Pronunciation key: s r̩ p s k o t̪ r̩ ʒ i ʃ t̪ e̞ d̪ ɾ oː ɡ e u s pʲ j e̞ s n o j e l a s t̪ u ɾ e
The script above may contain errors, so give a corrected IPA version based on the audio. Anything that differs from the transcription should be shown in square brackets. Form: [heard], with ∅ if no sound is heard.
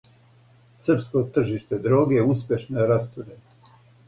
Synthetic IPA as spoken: s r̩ p s k o t̪ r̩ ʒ i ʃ t̪ e̞ d̪ ɾ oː ɡ e u s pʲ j e̞ [ʃ] n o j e [ɾ] a s t̪ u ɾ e